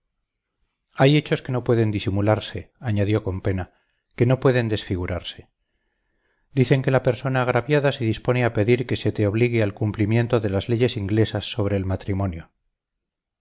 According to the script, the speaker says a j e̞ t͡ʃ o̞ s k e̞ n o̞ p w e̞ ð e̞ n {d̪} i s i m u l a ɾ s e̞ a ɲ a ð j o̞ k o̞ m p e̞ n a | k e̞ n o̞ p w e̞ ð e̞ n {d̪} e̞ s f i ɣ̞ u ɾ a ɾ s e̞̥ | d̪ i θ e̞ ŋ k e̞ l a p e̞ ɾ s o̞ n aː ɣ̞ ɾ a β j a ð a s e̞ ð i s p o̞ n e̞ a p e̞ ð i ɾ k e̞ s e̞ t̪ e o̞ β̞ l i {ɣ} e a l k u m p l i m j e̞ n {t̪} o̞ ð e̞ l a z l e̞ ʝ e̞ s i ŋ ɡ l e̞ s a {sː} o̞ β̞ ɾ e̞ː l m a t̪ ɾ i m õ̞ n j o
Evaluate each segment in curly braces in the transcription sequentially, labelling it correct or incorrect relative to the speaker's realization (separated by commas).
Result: correct, correct, correct, correct, correct